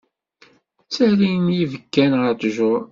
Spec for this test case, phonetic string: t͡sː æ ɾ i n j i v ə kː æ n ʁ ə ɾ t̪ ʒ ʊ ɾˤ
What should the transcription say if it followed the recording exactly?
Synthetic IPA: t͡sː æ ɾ i n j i v ə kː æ n ʁ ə ɾ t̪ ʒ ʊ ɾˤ